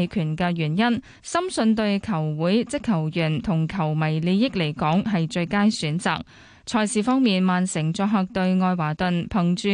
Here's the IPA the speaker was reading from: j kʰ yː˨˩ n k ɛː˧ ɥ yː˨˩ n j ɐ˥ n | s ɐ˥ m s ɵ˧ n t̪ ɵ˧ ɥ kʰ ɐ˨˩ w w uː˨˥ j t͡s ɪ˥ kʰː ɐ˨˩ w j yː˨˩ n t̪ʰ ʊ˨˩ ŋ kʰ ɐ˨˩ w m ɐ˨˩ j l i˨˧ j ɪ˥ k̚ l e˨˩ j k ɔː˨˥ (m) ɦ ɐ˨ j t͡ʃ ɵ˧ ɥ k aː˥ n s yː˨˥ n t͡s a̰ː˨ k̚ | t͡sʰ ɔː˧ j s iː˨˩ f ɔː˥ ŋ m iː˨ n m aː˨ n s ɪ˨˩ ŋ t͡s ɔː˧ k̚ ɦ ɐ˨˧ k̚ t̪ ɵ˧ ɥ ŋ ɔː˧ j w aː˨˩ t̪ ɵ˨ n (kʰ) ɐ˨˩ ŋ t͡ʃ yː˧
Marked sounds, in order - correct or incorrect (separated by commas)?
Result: incorrect, incorrect